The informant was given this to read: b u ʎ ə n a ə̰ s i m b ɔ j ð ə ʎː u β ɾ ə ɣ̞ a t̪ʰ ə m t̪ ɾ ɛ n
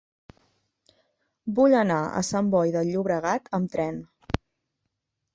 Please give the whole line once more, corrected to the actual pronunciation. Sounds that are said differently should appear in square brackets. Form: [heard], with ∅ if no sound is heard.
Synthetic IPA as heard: b u ʎ ə n a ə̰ s [a] m b ɔ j ð ə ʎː u β ɾ ə ɣ̞ a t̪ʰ ə m t̪ ɾ ɛ n

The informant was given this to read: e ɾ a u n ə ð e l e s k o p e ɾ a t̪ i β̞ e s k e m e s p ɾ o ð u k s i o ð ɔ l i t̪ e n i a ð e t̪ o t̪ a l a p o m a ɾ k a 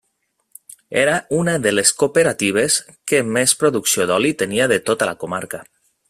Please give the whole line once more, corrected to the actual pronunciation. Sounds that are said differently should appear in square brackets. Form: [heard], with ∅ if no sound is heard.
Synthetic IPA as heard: e ɾ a u n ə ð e l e s k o p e ɾ a t̪ i β̞ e s k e m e s p ɾ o ð u k s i o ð ɔ l i t̪ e n i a ð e t̪ o t̪ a l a [k] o m a ɾ k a

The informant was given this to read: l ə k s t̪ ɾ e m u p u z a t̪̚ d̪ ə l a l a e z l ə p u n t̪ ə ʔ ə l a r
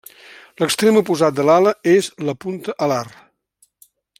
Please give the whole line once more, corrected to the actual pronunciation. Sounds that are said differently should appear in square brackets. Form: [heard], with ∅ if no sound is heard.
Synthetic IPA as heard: l ə k s t̪ ɾ e m u p u z a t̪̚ d̪ ə l a l [ə] e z l ə p u n t̪ ə ʔ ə l a r

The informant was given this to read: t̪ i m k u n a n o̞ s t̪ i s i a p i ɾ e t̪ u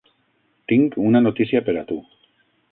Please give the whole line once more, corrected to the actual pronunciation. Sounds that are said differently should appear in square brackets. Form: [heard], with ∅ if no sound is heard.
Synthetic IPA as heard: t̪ i [ŋ] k u n a n o̞ [∅] t̪ i s i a p [e] ɾ [a] t̪ u

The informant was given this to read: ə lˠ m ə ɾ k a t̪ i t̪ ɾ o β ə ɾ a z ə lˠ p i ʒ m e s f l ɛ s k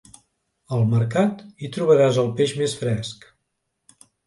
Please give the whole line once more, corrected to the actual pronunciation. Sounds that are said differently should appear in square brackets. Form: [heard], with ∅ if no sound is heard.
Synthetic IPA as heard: ə lˠ m ə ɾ k a t̪ i t̪ ɾ [u] β ə ɾ a z ə lˠ p [e] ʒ m e s f [ɾ] ɛ s k

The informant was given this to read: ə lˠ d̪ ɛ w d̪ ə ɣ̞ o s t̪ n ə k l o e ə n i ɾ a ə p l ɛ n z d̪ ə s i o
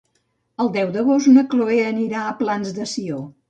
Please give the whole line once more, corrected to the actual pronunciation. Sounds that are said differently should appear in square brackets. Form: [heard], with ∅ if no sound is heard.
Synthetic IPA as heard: ə lˠ d̪ ɛ w d̪ ə ɣ̞ o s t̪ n ə k l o e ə n i ɾ a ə p l [a] n z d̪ ə s i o

